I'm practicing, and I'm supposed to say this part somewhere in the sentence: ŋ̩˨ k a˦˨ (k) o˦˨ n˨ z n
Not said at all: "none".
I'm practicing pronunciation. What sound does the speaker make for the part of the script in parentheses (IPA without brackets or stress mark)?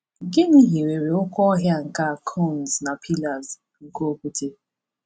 kʰ